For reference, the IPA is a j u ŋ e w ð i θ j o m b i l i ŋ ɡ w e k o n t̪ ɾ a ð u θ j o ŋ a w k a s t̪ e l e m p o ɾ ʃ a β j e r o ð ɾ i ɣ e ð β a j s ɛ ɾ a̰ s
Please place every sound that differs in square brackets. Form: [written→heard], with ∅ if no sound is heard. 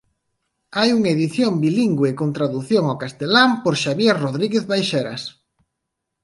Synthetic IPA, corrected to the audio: a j u ŋ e [w→∅] ð i θ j o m b i l i ŋ ɡ w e k o n t̪ ɾ a ð u θ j o ŋ a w k a s t̪ e l [e→a] m p o ɾ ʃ a β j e r o ð ɾ i ɣ e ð β a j [s→ʃ] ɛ ɾ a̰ s